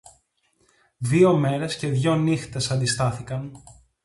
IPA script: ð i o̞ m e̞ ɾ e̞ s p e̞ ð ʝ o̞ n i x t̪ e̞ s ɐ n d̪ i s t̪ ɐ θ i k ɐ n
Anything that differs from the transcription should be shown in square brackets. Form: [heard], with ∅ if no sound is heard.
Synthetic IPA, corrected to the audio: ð i o̞ m e̞ ɾ e̞ s [c] e̞ ð ʝ o̞ n i x t̪ e̞ s ɐ n d̪ i s t̪ ɐ θ i k ɐ n